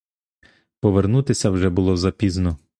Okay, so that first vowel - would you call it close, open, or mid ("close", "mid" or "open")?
mid